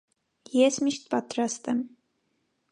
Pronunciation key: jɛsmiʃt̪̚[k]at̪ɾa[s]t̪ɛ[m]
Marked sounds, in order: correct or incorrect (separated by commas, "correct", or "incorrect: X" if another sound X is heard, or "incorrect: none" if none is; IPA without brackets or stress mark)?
incorrect: p, correct, correct